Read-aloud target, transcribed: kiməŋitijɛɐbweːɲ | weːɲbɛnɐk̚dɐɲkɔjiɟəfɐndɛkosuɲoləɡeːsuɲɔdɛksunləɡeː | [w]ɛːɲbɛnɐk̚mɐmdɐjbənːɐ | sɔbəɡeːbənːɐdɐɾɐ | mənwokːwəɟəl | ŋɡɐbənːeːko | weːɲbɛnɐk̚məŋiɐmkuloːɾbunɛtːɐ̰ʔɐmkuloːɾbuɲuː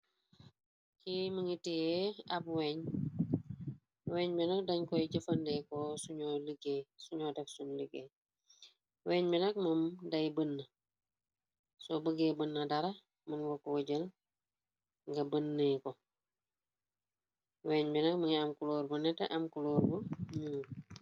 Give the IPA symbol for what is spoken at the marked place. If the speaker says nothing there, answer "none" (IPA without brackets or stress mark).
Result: w